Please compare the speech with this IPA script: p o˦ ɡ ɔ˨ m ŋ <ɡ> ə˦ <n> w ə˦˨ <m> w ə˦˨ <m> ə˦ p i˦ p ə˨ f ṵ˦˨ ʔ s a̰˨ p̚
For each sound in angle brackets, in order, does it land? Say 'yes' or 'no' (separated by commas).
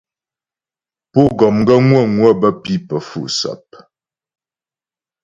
yes, no, no, no